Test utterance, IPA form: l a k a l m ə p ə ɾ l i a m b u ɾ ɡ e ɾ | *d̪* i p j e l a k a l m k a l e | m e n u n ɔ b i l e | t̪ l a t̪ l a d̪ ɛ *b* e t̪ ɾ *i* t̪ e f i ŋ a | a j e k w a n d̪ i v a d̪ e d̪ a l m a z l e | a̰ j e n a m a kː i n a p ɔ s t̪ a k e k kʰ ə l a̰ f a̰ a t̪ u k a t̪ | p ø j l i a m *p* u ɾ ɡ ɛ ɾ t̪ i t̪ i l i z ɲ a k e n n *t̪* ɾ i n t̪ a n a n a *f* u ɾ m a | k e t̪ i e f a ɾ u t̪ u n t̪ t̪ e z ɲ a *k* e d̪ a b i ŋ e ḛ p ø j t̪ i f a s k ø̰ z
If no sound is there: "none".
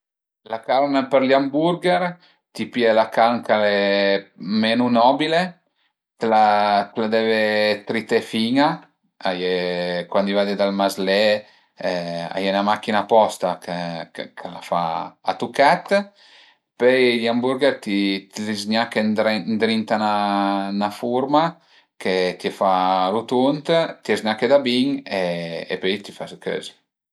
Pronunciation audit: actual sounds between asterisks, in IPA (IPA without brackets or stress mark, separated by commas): t̪, v, i, b, d̪, f, k